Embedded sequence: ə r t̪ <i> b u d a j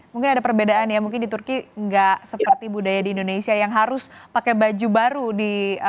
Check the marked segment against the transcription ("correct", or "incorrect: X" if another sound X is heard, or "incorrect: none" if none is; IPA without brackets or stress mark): correct